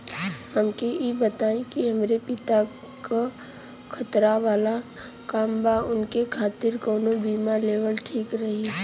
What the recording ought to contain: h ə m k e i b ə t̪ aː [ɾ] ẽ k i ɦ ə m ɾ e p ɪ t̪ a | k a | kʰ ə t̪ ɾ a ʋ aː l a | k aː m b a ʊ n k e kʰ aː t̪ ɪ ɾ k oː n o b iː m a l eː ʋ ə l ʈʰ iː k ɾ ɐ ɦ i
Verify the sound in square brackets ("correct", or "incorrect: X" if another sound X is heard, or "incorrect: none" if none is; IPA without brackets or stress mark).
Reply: incorrect: none